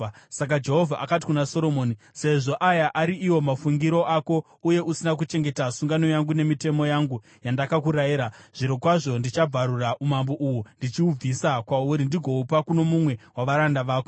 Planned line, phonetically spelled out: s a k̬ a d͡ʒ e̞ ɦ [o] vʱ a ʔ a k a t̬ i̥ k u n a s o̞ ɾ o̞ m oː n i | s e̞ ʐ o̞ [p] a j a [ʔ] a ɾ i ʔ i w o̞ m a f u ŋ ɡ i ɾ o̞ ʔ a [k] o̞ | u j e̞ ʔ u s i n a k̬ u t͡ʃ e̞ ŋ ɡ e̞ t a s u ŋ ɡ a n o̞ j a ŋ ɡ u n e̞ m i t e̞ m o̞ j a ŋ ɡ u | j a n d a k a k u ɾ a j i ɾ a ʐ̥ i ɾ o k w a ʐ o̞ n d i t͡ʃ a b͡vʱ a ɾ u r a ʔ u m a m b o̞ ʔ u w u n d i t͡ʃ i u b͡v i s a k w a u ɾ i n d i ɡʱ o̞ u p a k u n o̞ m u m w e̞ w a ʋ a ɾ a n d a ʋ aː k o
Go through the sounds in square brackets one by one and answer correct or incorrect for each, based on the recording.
correct, incorrect: ʔ, correct, correct

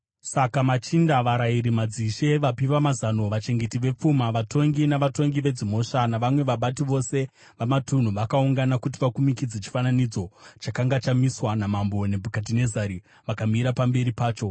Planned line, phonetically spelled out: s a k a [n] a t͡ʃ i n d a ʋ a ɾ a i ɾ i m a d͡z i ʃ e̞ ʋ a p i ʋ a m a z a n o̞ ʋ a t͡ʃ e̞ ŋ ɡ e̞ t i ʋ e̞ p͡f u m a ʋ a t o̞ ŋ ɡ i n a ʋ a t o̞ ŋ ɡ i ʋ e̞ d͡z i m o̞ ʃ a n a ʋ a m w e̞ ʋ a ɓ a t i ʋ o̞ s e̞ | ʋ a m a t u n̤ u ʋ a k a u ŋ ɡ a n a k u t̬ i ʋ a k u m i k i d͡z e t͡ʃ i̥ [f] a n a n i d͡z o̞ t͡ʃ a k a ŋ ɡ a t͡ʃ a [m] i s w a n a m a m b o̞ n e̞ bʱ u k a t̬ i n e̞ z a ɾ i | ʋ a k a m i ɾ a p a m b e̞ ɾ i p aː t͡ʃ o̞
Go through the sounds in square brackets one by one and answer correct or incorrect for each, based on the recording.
incorrect: m, correct, correct

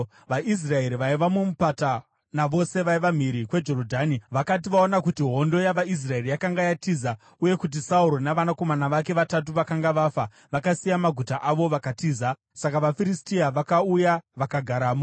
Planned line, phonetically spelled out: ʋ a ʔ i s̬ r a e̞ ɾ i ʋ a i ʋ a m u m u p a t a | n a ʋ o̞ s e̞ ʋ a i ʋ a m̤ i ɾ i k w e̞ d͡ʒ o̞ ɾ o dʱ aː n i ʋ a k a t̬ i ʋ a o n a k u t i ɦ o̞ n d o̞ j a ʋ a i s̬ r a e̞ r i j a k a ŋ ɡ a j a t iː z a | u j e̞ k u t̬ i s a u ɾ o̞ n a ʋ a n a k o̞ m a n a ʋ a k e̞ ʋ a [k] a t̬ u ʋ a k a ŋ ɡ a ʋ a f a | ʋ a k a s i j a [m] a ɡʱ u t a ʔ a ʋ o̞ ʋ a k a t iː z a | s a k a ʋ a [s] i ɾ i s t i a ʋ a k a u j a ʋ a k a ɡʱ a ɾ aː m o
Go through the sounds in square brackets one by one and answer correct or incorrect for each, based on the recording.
incorrect: t, correct, incorrect: f

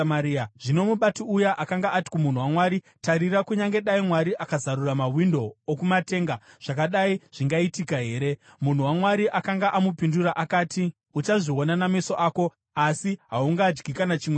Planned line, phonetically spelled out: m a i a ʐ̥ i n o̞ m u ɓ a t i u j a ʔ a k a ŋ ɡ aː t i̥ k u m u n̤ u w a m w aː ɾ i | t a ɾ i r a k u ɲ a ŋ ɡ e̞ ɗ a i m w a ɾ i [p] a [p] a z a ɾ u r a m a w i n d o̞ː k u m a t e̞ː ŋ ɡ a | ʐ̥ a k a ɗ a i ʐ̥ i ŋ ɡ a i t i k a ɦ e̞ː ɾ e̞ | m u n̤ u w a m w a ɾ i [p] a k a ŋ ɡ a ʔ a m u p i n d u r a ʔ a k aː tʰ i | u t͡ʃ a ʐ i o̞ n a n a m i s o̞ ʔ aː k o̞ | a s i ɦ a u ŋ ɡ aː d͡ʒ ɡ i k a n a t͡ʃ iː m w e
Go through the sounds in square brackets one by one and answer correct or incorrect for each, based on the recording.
incorrect: ʔ, incorrect: k, incorrect: ʔ

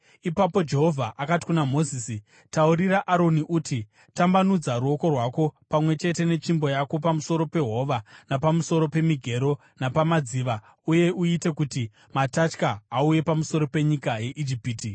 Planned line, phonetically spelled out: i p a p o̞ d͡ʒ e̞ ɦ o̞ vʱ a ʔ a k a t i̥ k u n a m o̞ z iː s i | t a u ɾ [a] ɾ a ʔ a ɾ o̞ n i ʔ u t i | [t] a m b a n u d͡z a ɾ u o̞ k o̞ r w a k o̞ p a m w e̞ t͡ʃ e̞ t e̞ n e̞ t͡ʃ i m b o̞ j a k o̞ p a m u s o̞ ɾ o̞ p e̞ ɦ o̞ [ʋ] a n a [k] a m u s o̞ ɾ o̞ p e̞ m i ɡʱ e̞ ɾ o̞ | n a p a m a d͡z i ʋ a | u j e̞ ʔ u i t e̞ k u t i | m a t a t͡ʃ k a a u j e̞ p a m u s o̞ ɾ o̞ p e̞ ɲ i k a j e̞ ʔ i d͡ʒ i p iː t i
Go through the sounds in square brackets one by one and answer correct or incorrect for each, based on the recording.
incorrect: i, correct, correct, incorrect: p

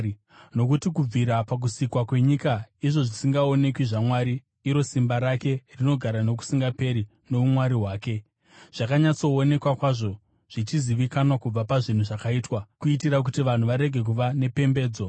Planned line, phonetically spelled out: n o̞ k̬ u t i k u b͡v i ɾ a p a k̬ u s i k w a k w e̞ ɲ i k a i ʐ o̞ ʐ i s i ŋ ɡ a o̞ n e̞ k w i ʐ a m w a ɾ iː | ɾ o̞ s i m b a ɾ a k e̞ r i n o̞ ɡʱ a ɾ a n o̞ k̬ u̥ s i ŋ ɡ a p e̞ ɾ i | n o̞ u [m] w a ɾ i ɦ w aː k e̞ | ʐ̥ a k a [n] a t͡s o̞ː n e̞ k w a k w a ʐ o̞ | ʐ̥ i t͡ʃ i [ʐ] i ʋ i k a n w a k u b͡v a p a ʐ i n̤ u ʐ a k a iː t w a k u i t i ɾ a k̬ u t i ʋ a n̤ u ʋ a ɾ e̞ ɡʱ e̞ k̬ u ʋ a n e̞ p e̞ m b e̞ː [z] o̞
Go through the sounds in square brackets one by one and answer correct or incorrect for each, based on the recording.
correct, incorrect: ɲ, incorrect: z, incorrect: d͡z

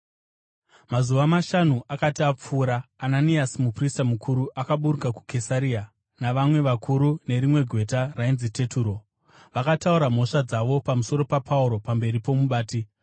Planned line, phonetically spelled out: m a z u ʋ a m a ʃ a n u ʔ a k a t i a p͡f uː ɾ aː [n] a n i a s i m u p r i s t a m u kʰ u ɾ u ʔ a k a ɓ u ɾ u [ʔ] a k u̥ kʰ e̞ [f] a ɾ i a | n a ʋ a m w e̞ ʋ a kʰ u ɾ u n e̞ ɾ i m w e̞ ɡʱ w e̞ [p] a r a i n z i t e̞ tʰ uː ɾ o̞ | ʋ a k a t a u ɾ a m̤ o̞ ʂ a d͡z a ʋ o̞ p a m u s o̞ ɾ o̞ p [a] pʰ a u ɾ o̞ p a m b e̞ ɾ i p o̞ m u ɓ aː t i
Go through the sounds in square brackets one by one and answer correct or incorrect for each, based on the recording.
correct, incorrect: k, incorrect: s, incorrect: t, correct

